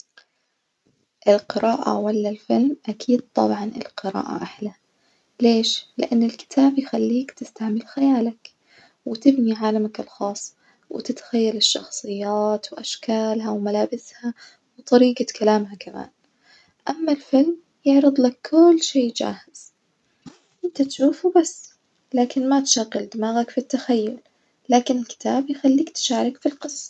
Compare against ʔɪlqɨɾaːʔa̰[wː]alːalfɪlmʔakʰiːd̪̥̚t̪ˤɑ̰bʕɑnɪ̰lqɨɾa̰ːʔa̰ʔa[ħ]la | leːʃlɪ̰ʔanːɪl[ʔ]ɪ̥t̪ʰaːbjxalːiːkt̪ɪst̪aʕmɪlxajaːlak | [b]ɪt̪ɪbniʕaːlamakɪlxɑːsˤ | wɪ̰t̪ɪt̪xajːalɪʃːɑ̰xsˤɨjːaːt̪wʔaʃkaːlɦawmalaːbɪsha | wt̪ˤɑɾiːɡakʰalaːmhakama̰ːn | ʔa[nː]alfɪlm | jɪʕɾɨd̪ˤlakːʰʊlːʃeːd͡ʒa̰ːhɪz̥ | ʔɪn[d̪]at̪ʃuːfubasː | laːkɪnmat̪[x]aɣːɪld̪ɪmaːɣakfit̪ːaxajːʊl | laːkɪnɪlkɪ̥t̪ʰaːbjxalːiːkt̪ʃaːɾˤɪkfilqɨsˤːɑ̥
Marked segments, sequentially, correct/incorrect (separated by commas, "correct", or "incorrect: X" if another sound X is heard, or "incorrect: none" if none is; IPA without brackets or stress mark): incorrect: w, correct, incorrect: k, incorrect: w, incorrect: mː, incorrect: t̪, incorrect: ʃ